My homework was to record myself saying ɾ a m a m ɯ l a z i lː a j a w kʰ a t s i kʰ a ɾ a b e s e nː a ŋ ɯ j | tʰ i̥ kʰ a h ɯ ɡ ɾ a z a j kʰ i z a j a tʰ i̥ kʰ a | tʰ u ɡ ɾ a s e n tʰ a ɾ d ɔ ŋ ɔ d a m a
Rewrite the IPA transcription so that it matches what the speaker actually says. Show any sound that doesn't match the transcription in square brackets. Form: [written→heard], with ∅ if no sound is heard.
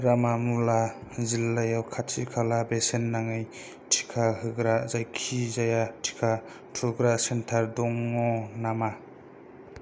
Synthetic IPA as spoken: ɾ a m a m [ɯ→u] l a z i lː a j a w kʰ a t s i kʰ a [ɾ→l] a b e s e nː a ŋ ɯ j | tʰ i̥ kʰ a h ɯ ɡ ɾ a z a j kʰ i z a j a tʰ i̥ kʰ a | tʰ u ɡ ɾ a s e n tʰ a ɾ d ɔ ŋ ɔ [d→n] a m a

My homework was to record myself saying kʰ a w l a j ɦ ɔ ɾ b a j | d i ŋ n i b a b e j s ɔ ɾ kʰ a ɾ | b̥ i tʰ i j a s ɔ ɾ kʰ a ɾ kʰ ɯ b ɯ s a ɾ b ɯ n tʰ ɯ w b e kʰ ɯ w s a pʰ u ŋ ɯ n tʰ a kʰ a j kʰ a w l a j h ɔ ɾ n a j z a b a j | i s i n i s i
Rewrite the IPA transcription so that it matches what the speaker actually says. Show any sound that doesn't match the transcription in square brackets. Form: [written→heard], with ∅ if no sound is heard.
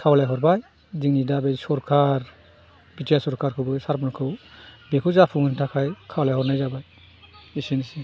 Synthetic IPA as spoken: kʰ a w l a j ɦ ɔ ɾ b a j | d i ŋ n i [b→d] a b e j s ɔ ɾ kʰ a ɾ | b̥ i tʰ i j a s ɔ ɾ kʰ a ɾ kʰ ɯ b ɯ s a ɾ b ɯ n [tʰ→kʰ] ɯ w b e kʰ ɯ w [s→z] a pʰ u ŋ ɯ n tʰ a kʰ a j kʰ a w l a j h ɔ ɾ n a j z a b a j | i s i n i s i

